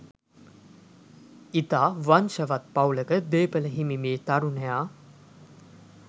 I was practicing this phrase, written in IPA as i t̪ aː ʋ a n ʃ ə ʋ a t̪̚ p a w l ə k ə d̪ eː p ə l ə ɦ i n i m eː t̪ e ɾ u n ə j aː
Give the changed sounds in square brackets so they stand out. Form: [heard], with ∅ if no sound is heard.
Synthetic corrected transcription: i t̪ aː ʋ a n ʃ ə ʋ a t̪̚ p a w l ə k ə d̪ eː p ə l ə ɦ i [m] i m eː t̪ [a] ɾ u n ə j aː